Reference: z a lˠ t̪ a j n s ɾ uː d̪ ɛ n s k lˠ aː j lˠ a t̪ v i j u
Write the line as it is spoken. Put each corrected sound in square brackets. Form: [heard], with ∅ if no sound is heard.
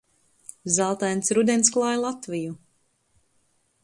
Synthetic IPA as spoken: z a lˠ t̪ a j n s ɾ [u] d̪ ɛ n s k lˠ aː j lˠ a t̪ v i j u